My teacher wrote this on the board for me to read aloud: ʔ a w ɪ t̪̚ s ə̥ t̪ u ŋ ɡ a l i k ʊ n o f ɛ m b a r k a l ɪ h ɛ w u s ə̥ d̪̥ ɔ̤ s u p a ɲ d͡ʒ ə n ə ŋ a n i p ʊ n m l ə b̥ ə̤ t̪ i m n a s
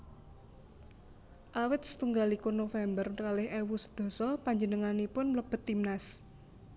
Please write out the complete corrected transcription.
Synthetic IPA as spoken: ʔ a w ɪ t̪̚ s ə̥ t̪ u ŋ ɡ a l i k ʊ n o f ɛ m b ə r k a l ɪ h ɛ w u s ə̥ d̪̥ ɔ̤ s ɔ p a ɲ d͡ʒ ə n ə ŋ a n i p ʊ n m l ə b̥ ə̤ t̪ i m n a s